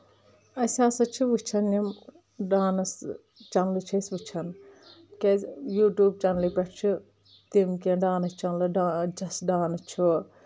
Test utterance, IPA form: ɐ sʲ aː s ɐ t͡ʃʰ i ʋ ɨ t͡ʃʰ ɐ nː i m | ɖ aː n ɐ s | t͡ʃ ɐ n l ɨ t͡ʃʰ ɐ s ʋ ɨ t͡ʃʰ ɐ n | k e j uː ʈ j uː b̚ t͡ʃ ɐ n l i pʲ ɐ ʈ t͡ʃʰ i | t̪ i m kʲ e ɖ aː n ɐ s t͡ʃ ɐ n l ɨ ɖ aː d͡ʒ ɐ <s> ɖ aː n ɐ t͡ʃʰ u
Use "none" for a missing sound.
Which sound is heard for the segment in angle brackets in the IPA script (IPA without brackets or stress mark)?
s